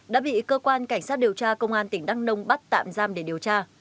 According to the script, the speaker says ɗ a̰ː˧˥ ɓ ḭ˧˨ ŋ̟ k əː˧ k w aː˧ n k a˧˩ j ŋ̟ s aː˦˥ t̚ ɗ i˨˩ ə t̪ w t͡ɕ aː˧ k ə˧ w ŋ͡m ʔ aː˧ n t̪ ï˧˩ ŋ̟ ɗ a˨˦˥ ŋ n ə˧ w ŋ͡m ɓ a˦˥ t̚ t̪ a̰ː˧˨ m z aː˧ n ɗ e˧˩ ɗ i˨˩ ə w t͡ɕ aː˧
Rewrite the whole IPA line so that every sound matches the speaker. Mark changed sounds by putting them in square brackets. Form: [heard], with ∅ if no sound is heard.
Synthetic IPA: ɗ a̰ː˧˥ ɓ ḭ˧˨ [∅] k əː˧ k w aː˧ n k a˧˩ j ŋ̟ s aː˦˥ t̚ ɗ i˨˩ ə [∅] w t͡ɕ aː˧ k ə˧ w ŋ͡m ʔ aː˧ n t̪ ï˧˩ ŋ̟ ɗ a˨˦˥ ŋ n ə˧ w ŋ͡m ɓ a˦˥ t̚ t̪ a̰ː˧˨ m z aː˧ [m] ɗ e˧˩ ɗ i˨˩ ə w t͡ɕ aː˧